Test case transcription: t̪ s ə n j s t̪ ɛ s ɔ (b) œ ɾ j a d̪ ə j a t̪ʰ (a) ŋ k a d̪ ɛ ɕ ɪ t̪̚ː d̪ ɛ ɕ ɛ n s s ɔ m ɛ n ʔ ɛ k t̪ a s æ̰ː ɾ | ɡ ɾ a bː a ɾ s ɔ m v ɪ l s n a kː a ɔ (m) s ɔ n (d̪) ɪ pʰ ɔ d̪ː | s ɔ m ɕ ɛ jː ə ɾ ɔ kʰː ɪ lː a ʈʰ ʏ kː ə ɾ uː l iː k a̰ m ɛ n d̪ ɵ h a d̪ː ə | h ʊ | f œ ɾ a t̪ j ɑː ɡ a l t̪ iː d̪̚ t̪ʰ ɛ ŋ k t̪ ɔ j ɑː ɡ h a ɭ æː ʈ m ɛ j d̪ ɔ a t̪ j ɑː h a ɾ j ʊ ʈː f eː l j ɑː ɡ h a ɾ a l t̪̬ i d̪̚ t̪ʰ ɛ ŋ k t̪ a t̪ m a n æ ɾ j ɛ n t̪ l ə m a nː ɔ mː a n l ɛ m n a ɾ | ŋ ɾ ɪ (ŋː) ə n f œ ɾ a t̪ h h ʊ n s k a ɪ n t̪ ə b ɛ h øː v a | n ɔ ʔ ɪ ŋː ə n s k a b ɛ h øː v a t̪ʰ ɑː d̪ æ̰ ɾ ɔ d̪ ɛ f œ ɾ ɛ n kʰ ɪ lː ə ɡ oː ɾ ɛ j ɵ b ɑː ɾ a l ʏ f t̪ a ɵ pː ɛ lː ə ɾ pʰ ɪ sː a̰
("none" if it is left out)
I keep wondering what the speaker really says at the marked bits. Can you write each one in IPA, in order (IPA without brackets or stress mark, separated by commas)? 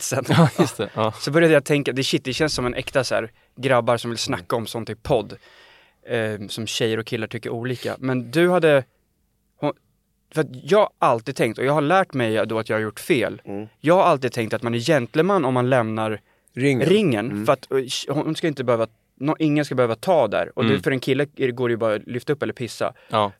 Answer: b, ɛ, m, t̪, ŋː